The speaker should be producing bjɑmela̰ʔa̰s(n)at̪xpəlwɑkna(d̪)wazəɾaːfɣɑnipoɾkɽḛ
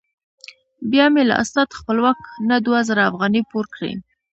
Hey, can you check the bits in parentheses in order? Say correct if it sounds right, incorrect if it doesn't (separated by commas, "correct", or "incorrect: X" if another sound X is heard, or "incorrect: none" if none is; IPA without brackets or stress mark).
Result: correct, correct